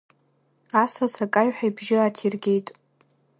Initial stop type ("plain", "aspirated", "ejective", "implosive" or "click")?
ejective